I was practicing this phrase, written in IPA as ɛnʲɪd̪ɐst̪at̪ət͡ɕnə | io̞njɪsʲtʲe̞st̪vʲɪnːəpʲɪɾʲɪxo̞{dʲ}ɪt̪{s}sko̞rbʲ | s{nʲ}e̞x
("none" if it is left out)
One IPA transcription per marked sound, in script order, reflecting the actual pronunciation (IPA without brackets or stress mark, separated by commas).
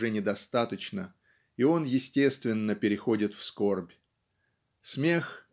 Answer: dʲ, f, mʲ